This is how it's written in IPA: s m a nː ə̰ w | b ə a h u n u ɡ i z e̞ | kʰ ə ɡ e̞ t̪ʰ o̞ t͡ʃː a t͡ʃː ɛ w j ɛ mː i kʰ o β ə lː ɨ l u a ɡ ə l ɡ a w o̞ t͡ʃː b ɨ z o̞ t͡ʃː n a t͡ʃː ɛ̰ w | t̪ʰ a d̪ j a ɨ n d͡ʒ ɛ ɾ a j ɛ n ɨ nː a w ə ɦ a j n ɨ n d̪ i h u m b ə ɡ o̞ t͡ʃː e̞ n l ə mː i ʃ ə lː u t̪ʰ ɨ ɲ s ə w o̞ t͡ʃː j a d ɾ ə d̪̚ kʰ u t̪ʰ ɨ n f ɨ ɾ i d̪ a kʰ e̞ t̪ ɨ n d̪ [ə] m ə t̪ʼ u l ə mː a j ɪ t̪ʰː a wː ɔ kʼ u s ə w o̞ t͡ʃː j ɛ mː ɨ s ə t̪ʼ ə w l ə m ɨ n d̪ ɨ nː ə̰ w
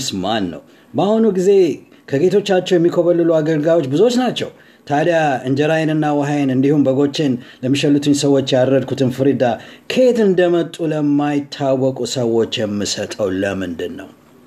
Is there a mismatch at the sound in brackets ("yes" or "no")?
no